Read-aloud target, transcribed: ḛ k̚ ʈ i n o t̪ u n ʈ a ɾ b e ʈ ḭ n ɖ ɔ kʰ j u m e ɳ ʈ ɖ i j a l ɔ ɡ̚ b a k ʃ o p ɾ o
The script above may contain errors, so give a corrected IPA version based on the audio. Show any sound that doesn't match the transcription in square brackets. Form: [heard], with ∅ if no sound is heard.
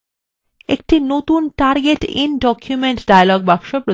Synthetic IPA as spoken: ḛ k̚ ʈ i n o t̪ u n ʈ a ɾ [ɡ] e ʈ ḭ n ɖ ɔ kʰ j u m e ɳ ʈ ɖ [a] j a l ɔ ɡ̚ b a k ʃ o p ɾ o